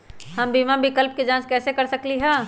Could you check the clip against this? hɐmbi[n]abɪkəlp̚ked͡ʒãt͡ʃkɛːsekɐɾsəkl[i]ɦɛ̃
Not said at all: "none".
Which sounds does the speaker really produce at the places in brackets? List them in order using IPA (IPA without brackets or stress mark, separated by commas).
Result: m, i